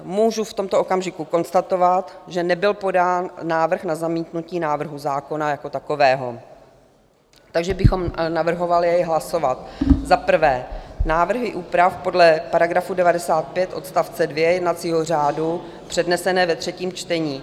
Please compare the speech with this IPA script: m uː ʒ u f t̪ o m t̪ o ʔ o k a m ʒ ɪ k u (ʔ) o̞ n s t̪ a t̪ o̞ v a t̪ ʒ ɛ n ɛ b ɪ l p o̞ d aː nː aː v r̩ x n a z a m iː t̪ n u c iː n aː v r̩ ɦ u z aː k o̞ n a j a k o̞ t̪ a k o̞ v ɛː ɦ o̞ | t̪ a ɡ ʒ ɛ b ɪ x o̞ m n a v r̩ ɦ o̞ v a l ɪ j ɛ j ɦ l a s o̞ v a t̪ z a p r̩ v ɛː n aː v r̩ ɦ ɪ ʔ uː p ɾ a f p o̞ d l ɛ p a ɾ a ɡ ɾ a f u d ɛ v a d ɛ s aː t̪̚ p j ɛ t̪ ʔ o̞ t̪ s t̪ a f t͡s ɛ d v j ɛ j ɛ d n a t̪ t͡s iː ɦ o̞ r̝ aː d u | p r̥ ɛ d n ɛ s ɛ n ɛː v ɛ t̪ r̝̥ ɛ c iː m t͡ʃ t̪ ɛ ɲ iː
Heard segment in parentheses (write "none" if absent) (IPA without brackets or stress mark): k